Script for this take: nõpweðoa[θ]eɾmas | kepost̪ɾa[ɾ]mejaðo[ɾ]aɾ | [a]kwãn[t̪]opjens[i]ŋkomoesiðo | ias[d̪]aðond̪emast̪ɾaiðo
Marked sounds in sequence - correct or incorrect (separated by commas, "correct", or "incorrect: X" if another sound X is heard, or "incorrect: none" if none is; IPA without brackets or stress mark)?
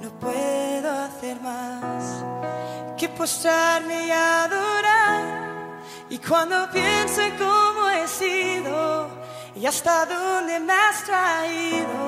correct, correct, correct, incorrect: i, incorrect: d̪, incorrect: e, incorrect: t̪